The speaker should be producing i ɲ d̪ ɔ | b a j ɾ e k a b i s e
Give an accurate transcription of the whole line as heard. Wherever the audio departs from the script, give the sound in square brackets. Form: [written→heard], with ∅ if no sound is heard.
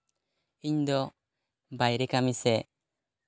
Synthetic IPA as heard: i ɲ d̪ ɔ | b a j ɾ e k a [b→m] i s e